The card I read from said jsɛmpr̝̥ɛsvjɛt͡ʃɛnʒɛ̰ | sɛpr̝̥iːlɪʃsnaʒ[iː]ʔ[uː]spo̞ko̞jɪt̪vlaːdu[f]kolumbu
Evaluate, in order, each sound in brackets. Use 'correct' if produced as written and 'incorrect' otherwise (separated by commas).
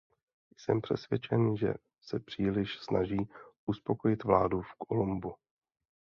correct, incorrect, correct